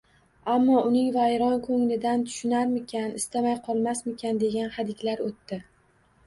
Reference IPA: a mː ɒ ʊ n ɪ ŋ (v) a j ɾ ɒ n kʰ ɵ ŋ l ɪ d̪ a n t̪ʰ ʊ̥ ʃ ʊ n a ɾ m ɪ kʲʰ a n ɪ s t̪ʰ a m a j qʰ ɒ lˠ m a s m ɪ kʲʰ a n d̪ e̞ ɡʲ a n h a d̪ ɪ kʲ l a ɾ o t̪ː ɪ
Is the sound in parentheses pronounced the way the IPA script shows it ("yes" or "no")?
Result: yes